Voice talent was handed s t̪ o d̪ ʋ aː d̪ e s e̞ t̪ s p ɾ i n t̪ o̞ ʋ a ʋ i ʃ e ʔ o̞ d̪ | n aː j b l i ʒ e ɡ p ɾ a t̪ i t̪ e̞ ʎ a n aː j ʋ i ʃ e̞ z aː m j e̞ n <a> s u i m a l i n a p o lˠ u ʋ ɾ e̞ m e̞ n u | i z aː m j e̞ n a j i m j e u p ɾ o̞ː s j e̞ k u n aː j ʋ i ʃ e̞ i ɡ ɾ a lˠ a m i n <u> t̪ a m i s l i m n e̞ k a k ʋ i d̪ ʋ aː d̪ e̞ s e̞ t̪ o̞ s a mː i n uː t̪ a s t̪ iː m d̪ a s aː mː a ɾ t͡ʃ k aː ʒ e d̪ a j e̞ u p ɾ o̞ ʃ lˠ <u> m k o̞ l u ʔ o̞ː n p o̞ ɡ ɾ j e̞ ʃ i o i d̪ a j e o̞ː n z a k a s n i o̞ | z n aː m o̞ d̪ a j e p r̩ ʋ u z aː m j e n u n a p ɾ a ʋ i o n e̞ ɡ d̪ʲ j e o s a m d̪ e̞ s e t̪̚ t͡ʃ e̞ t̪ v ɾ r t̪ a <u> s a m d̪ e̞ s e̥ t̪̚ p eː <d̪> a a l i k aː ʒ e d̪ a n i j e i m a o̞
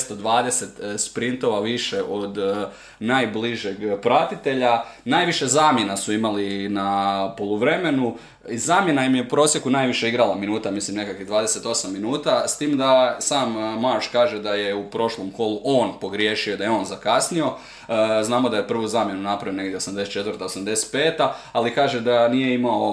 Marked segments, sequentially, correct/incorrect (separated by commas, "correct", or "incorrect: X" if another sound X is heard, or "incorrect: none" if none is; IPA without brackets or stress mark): correct, incorrect: uː, incorrect: o, incorrect: o, incorrect: t̪